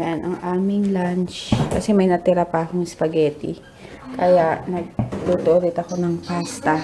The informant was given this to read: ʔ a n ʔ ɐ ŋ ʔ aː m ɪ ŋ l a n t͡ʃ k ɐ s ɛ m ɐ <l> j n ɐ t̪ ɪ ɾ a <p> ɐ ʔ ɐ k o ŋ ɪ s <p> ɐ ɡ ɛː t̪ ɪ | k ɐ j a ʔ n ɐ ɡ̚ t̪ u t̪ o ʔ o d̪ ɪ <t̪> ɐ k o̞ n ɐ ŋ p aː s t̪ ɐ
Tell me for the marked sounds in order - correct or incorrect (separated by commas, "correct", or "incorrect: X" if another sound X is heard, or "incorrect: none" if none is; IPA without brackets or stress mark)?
incorrect: none, correct, correct, correct